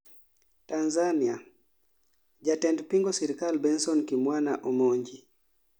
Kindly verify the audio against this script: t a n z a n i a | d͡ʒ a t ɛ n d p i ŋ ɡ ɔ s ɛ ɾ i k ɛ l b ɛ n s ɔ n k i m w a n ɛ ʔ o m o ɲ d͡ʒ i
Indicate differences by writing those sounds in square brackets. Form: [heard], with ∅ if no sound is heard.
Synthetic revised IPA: t a n z a n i a | d͡ʒ a t ɛ n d p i ŋ ɡ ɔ s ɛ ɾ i k [a] l b ɛ n s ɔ n k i m w a n [a] ʔ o m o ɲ d͡ʒ i